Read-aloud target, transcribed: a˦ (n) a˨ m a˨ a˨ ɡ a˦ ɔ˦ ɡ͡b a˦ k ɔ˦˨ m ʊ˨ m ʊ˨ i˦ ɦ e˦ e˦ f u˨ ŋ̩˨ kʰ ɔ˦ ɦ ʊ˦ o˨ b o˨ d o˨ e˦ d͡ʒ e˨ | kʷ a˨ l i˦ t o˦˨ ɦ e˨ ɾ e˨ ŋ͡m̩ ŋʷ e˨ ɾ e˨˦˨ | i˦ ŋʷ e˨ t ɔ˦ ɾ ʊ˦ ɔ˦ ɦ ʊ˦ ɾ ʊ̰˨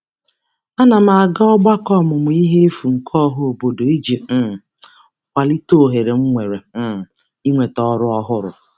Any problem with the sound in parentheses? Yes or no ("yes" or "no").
no